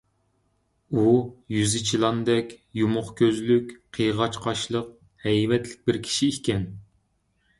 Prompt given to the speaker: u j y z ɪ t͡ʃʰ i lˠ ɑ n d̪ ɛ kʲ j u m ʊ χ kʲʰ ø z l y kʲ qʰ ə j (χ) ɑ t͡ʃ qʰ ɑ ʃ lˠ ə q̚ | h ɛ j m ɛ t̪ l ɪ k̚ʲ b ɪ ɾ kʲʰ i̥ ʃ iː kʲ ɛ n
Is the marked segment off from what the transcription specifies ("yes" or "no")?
yes